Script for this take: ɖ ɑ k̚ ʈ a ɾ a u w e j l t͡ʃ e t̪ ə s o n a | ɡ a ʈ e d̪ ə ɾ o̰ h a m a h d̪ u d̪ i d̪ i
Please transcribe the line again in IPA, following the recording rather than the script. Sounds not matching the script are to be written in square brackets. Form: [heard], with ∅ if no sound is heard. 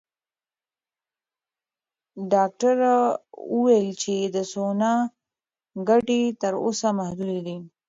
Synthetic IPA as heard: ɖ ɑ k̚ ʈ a ɾ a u w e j l t͡ʃ e [d̪] ə s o n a | ɡ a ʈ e [t̪] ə ɾ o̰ [s] a m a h d̪ u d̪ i d̪ i